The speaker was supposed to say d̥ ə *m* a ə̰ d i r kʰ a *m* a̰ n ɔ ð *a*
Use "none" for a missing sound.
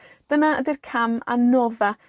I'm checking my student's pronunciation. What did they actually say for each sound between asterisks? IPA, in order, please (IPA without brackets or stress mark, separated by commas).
n, m, a